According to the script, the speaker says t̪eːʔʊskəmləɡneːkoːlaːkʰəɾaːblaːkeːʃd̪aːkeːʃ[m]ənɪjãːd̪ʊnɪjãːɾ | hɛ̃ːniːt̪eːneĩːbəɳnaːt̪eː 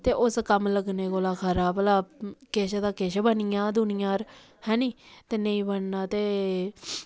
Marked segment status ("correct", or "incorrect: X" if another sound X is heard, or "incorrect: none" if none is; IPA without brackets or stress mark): incorrect: b